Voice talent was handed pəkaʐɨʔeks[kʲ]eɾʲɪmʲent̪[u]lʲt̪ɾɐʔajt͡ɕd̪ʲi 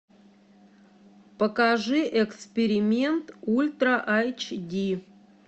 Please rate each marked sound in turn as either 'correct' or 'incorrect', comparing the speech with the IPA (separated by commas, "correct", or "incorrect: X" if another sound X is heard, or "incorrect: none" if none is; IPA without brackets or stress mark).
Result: incorrect: pʲ, correct